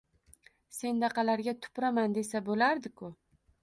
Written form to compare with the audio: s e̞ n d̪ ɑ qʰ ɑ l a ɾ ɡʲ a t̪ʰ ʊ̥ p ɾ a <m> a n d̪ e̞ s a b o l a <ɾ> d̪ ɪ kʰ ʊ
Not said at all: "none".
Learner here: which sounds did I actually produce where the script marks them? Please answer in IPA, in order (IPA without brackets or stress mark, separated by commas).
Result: m, ɾ